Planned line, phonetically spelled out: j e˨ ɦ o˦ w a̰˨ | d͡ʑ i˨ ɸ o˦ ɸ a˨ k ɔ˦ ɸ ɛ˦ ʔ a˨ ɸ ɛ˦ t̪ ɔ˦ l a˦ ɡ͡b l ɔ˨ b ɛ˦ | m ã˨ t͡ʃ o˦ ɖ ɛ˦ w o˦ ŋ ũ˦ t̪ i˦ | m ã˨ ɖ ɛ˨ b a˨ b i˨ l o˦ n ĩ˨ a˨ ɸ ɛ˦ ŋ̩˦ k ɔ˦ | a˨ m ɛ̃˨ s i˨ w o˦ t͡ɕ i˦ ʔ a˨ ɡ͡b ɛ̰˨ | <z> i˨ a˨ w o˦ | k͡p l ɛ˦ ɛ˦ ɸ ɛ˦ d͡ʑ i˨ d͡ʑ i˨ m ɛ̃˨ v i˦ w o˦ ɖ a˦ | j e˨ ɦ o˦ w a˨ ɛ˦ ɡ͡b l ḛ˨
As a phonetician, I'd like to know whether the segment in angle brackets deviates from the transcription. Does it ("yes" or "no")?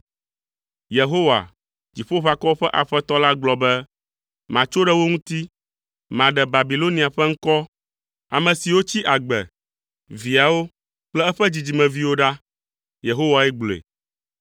yes